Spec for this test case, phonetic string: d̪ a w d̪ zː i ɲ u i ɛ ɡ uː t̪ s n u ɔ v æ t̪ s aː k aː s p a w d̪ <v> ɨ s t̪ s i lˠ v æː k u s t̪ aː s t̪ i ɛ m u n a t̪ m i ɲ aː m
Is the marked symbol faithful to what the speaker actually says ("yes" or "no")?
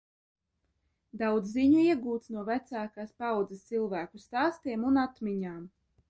no